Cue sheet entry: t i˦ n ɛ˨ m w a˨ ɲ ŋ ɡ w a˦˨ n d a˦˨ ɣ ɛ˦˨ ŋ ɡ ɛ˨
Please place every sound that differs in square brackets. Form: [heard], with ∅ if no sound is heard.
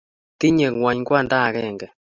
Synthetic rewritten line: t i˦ [ɲ] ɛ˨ [ŋ] w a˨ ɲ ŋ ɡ w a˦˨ n d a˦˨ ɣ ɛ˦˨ ŋ ɡ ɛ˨